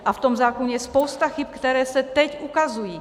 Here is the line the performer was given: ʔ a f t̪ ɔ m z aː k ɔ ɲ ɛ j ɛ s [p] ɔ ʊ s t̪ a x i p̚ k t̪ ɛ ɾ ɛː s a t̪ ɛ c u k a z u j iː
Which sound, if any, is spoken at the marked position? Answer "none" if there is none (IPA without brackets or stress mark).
p